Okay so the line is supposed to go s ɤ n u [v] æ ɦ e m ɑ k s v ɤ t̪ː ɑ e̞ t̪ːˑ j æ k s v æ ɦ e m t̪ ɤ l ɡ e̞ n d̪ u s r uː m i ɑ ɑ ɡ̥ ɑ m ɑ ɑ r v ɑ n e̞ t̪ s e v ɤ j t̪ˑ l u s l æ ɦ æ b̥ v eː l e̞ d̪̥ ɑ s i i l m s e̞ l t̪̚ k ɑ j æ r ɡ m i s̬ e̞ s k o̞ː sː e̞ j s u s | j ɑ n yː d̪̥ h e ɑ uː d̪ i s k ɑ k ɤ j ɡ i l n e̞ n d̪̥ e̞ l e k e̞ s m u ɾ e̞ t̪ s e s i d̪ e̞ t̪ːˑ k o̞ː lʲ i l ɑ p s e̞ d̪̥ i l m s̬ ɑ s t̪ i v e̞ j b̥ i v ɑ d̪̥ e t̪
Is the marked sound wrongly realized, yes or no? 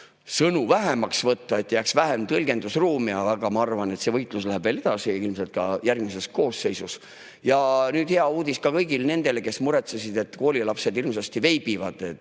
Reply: no